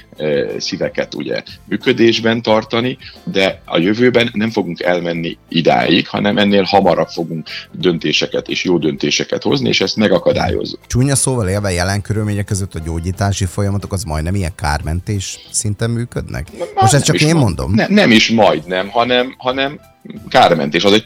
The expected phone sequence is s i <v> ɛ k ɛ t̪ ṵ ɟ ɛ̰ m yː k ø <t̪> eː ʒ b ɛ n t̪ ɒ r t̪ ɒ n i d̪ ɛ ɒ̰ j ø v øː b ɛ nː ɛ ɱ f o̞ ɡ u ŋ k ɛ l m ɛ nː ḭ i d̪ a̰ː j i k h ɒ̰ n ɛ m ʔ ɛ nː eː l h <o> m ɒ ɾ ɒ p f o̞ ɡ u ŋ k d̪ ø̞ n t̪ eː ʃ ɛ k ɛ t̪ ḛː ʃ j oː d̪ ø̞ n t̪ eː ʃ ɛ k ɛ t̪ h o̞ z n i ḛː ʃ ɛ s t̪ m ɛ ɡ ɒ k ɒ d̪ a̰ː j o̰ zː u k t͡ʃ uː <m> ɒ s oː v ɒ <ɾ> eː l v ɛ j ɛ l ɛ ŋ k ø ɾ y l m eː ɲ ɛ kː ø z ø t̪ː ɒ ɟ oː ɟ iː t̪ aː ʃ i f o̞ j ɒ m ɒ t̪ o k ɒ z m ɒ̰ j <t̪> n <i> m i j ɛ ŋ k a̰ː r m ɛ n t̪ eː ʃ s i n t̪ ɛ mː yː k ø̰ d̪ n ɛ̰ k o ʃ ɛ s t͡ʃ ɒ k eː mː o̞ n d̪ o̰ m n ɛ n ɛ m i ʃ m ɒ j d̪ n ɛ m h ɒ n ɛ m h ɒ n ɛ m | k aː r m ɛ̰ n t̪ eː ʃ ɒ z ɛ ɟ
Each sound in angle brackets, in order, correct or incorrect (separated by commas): correct, incorrect, incorrect, incorrect, incorrect, incorrect, incorrect